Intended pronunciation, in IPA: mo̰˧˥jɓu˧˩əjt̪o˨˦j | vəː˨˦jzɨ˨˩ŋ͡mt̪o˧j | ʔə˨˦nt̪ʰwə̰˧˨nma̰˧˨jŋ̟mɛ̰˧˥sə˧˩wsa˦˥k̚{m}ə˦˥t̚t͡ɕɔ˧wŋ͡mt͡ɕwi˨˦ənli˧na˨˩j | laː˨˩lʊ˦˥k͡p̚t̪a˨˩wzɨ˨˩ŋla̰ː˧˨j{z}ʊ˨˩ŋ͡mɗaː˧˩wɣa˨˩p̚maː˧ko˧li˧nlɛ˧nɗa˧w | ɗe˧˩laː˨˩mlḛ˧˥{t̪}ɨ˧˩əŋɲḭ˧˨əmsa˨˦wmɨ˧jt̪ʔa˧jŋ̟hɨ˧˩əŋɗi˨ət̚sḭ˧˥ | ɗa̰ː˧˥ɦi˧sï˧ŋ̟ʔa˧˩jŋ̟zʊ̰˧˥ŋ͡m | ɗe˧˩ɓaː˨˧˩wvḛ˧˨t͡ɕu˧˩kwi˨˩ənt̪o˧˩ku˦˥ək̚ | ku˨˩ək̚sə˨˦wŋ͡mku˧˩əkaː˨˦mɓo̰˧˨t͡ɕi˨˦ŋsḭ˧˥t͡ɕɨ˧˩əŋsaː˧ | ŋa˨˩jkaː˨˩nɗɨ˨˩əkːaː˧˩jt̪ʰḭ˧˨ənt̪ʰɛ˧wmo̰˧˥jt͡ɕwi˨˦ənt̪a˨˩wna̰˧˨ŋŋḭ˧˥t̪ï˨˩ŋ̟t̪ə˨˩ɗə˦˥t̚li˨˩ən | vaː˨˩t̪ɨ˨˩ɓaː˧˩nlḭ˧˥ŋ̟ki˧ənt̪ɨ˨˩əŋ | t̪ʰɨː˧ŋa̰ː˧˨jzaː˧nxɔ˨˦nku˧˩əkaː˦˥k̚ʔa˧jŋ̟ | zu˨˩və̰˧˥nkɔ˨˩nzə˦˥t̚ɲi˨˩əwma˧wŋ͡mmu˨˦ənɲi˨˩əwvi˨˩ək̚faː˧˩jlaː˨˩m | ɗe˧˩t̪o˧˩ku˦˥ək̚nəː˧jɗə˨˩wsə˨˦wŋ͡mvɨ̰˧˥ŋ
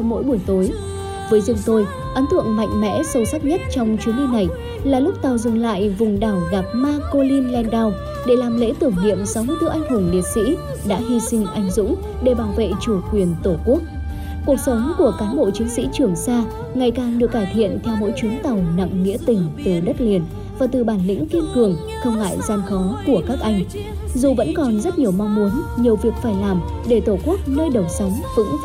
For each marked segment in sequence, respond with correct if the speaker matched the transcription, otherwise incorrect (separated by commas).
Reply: incorrect, incorrect, correct